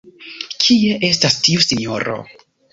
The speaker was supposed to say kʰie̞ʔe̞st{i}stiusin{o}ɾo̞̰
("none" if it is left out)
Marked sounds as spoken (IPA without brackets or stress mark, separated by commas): a, o